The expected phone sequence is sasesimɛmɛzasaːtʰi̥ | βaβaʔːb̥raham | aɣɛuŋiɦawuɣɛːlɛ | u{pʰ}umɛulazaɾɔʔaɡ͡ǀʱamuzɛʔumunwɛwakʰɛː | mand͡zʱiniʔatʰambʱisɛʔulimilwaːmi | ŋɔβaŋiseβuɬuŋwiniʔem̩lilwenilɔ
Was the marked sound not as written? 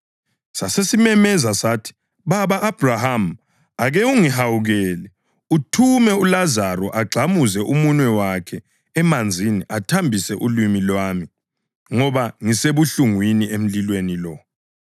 yes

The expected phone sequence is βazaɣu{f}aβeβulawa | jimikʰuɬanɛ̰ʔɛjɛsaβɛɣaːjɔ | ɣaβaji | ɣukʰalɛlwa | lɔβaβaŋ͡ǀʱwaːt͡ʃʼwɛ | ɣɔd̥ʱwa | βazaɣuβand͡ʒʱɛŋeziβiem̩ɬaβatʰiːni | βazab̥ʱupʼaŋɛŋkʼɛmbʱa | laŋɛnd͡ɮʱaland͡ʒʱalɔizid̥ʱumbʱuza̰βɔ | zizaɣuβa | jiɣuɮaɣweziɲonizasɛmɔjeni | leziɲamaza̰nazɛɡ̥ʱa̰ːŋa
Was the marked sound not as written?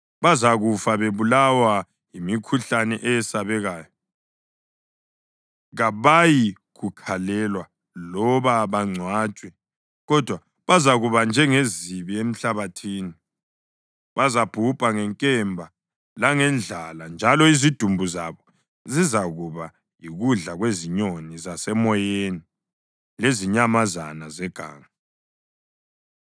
no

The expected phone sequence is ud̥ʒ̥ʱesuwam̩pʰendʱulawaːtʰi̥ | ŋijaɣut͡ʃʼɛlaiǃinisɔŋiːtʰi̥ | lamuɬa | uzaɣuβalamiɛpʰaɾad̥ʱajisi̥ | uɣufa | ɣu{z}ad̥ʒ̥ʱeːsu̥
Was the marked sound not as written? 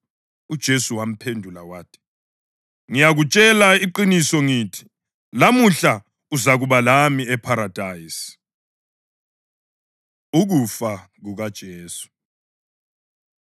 yes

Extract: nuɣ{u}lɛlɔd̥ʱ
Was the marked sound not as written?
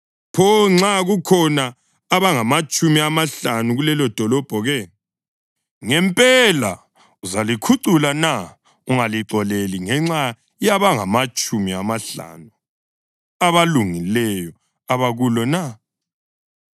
no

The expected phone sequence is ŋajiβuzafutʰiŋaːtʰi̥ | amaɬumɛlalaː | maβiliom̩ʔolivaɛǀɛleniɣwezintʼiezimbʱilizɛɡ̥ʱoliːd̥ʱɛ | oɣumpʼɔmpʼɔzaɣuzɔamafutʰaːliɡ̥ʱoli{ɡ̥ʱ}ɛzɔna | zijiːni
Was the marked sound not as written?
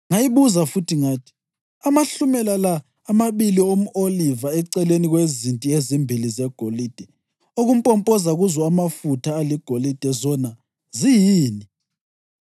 yes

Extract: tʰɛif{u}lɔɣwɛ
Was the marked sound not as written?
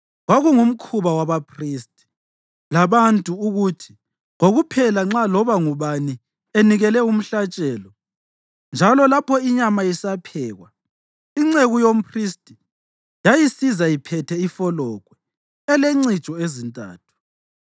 yes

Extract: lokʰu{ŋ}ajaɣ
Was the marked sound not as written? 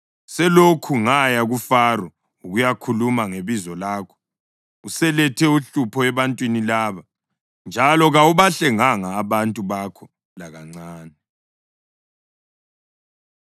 no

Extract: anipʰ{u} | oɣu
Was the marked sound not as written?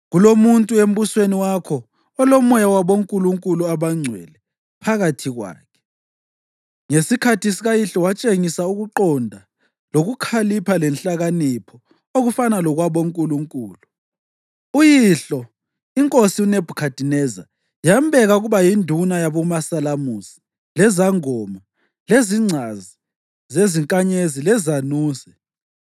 yes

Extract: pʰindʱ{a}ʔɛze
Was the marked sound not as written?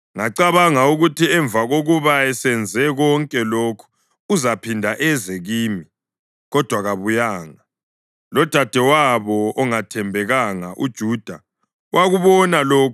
no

